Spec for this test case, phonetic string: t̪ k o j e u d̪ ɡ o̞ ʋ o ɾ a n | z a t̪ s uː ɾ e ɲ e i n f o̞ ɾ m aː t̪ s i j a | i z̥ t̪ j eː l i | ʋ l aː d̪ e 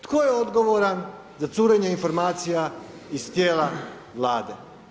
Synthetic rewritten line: t̪ k o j e o d̪ ɡ o̞ ʋ o ɾ a n | z a t̪ s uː ɾ e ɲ e i n f o̞ ɾ m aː t̪ s i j a | i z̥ t̪ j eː l a | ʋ l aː d̪ e